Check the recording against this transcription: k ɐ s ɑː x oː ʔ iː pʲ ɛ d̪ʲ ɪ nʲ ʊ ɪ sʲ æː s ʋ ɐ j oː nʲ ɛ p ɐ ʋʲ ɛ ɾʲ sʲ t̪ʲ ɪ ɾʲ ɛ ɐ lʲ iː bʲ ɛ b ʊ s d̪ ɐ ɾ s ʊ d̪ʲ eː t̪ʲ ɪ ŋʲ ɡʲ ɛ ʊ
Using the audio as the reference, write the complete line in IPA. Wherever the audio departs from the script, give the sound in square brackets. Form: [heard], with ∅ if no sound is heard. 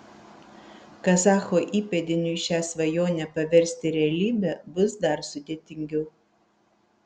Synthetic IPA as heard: k ɐ s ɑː x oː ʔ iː pʲ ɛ d̪ʲ ɪ nʲ ʊ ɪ [ʃʲ] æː s ʋ ɐ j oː nʲ ɛ p ɐ ʋʲ ɛ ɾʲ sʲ t̪ʲ ɪ ɾʲ ɛ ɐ lʲ iː bʲ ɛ b ʊ s d̪ ɐ ɾ s ʊ d̪ʲ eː t̪ʲ ɪ ŋʲ ɡʲ ɛ ʊ

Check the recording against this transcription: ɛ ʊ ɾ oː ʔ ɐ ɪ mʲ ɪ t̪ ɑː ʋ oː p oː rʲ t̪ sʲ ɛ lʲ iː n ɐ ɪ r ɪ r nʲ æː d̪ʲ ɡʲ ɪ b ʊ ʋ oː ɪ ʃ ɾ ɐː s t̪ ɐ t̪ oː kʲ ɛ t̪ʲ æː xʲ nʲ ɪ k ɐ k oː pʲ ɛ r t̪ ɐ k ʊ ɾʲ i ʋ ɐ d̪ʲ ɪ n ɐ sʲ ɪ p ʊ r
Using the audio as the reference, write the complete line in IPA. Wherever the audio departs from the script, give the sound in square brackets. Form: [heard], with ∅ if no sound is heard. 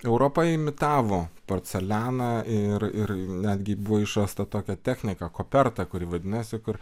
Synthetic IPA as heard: ɛ ʊ ɾ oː [p] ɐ ɪ mʲ ɪ t̪ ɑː ʋ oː p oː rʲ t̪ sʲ ɛ lʲ [æː] n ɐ ɪ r ɪ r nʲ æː d̪ʲ ɡʲ ɪ b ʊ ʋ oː ɪ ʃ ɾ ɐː s t̪ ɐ t̪ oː kʲ ɛ t̪ʲ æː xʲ nʲ ɪ k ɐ k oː pʲ ɛ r t̪ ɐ k ʊ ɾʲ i ʋ ɐ d̪ʲ ɪ n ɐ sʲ ɪ [k] ʊ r

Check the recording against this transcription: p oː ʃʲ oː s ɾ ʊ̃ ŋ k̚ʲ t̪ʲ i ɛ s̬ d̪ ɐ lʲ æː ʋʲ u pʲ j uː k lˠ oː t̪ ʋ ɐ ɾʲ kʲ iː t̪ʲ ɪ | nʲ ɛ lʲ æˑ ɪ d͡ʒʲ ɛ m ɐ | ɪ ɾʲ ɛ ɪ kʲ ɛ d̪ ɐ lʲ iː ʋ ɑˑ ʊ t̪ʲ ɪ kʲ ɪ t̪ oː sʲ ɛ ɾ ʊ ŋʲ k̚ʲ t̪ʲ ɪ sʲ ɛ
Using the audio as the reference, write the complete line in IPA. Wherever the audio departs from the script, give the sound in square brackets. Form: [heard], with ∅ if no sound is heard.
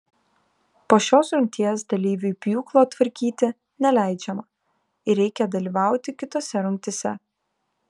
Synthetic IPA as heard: p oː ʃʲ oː s ɾ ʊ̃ ŋ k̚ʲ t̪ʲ i ɛ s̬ d̪ ɐ lʲ [iː] ʋʲ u pʲ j uː k lˠ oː t̪ ʋ ɐ ɾʲ kʲ iː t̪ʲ ɪ | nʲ ɛ lʲ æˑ ɪ d͡ʒʲ ɛ m ɐ | ɪ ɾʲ ɛ ɪ kʲ ɛ d̪ ɐ lʲ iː ʋ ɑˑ ʊ t̪ʲ ɪ kʲ ɪ t̪ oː sʲ ɛ ɾ ʊ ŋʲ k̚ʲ t̪ʲ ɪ sʲ ɛ

